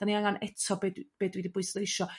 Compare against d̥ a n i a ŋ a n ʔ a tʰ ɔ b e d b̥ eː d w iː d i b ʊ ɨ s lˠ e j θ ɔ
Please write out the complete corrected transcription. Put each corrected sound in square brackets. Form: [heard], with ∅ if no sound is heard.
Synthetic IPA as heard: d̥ a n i a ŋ a n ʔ [ɛ] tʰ ɔ b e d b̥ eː d w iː d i b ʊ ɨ s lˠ e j [ʃ] ɔ